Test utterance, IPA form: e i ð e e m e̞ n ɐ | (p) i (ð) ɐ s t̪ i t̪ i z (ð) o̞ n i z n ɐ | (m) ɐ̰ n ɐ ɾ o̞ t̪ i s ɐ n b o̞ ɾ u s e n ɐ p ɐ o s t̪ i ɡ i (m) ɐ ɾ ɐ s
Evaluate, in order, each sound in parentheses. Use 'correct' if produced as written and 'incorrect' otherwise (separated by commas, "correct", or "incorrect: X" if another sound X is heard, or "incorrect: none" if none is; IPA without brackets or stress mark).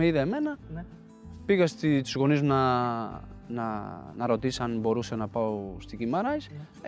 correct, incorrect: ɣ, incorrect: ɣ, incorrect: n, correct